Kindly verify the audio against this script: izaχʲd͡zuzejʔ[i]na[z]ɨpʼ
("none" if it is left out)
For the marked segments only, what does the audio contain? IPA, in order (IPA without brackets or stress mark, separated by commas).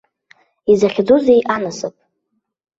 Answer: a, s